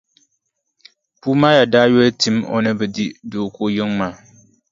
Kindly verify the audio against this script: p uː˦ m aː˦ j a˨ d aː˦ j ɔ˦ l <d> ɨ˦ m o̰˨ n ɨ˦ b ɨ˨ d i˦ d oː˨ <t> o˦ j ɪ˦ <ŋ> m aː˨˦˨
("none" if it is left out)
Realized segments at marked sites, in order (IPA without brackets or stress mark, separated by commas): t, k, ŋ